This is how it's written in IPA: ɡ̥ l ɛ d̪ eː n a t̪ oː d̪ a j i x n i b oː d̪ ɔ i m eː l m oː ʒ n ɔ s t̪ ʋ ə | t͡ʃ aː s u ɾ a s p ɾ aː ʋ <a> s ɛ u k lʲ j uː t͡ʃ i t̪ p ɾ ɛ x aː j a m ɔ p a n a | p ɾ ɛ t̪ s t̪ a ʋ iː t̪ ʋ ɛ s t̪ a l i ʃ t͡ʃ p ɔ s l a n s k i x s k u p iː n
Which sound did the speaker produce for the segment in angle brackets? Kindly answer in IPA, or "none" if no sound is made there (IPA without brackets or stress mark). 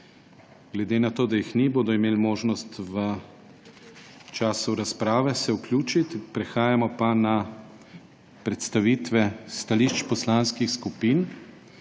ɛ